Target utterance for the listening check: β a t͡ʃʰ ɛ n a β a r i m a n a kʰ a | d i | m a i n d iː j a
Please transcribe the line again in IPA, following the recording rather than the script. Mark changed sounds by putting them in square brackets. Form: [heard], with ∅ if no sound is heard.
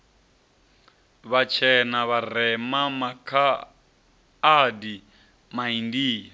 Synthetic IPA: β a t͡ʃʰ ɛ n a β a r [ɛ] m a [m] a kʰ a | d i | m a i n d iː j a